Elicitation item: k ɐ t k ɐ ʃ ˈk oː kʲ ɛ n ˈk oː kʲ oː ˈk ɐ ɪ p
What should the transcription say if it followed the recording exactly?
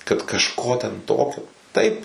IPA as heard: k ɐ t k ɐ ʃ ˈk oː tʲ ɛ n ˈt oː kʲ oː ˈt ɐ ɪ p